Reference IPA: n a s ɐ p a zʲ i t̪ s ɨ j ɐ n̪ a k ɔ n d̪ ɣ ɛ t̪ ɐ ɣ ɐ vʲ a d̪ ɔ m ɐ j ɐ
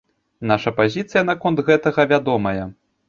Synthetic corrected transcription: n a ʂ ɐ p a zʲ i t̪ s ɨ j ɐ n̪ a k ɔ n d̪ ɣ ɛ t̪ ɐ ɣ ɐ vʲ a d̪ ɔ m ɐ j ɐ